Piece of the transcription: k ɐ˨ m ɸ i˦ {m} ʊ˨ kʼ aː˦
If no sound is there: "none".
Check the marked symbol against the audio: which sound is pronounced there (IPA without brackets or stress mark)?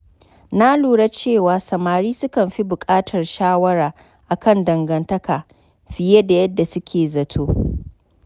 b